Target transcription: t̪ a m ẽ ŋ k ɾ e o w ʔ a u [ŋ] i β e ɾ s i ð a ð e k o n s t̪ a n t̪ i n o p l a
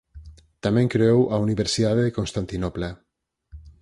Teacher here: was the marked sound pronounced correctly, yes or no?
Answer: no